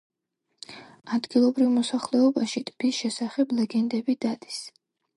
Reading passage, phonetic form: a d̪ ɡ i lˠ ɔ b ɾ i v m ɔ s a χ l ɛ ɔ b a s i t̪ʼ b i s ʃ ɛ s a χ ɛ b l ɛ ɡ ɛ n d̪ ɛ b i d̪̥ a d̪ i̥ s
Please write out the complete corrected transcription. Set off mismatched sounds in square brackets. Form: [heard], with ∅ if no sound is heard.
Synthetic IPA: a d̪ ɡ i lˠ ɔ b ɾ i v m ɔ s a χ l ɛ ɔ b a [ʃ] i t̪ʼ b i s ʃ ɛ s a χ ɛ b l ɛ ɡ ɛ n d̪ ɛ b i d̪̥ a d̪ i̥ s